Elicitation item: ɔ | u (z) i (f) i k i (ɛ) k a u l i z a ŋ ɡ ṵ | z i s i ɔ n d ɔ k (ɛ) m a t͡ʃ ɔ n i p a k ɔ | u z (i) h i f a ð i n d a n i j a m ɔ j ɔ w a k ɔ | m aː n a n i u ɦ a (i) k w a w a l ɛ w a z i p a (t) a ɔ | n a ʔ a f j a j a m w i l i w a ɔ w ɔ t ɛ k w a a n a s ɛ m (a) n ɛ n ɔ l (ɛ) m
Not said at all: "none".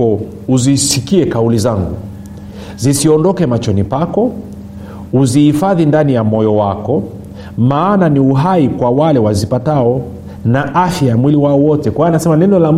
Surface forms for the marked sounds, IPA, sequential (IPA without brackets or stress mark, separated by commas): z, s, ɛ, ɛ, i, i, t, a, a